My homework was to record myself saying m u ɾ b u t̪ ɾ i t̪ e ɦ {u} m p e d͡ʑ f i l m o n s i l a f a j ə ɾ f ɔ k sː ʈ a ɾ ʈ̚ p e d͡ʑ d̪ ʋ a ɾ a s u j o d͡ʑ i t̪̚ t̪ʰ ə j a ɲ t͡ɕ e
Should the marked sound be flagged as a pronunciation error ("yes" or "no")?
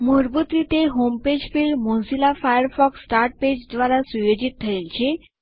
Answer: yes